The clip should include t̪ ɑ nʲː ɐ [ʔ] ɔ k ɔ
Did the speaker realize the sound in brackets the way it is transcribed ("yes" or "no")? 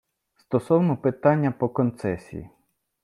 no